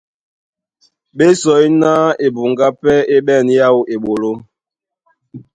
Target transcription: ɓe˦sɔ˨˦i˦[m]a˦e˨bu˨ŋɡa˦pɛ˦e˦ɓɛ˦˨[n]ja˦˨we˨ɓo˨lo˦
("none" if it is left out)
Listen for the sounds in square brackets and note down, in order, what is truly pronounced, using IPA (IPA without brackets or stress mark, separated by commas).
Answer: n, n